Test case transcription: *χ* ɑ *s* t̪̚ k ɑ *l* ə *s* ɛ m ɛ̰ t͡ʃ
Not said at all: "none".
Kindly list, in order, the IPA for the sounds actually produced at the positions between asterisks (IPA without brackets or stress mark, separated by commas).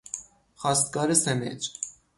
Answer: χ, s, ɾ, s